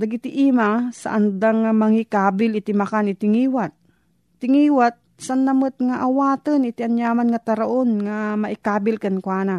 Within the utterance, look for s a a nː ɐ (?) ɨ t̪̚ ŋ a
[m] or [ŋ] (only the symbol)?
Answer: m